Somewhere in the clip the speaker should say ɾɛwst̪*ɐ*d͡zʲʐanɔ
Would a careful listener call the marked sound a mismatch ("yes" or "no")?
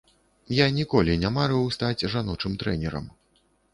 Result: yes